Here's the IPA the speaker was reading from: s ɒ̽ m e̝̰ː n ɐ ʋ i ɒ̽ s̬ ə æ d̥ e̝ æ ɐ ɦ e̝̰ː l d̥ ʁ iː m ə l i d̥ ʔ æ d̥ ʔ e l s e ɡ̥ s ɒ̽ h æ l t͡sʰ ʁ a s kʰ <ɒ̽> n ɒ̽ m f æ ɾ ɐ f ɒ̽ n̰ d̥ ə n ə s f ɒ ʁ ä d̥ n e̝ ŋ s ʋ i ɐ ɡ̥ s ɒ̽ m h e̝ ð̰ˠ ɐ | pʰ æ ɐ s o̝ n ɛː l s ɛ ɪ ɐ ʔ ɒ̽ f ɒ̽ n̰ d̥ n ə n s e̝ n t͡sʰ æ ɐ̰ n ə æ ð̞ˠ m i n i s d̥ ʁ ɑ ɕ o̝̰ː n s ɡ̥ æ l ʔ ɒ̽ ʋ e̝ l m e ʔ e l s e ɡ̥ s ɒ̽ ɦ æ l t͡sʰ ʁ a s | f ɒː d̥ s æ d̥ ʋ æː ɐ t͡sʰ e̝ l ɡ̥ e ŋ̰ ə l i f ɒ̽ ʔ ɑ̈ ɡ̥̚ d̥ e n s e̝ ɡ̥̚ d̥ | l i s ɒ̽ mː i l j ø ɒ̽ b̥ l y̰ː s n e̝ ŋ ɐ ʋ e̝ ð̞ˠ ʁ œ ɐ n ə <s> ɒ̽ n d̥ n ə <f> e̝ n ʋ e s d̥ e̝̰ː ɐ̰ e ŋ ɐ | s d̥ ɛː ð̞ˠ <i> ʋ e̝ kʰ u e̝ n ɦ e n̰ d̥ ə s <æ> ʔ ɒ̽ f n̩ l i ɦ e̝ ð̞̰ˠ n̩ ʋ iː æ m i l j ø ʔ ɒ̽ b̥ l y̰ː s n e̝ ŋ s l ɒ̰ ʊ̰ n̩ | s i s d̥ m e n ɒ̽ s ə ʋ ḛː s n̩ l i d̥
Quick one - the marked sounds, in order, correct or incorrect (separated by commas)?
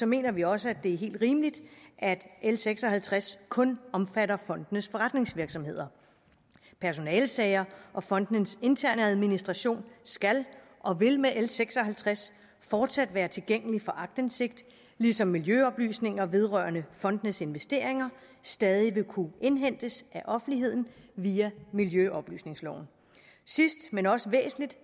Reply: incorrect, incorrect, incorrect, correct, correct